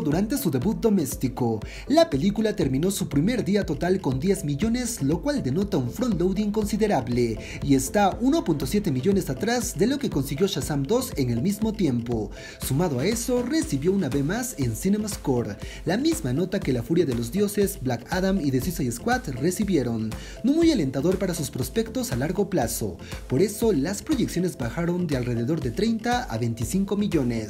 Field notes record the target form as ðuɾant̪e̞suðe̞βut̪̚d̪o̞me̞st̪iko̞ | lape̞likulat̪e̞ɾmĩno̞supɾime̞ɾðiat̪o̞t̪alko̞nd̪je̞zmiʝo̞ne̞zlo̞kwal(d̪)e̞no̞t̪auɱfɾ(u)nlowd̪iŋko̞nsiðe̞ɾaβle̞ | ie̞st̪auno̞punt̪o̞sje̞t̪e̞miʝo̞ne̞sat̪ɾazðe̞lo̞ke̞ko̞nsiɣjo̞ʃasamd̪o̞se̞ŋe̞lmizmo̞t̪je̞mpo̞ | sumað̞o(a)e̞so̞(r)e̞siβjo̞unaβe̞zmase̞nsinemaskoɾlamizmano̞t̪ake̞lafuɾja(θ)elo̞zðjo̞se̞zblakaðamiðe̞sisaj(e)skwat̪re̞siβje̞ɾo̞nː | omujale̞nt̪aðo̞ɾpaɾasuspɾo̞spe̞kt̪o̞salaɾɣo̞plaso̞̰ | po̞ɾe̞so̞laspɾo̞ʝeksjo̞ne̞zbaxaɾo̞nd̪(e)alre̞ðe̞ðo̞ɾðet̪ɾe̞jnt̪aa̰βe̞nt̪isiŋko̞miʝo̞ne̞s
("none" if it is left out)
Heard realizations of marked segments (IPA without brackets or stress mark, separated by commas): d̪, o, a, r, ð, e, e